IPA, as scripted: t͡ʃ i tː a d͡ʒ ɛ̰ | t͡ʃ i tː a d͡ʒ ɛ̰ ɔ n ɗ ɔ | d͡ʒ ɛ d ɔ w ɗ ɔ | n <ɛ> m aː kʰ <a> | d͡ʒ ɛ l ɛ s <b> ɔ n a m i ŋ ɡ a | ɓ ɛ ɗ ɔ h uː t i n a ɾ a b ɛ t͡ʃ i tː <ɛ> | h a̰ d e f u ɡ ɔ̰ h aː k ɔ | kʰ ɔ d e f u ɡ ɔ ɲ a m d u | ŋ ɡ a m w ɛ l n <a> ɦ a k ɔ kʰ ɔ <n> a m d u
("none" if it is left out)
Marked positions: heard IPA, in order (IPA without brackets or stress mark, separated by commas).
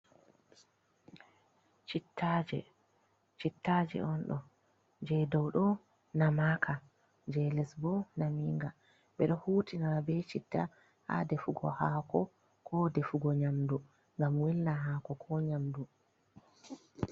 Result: a, a, b, a, a, ɲ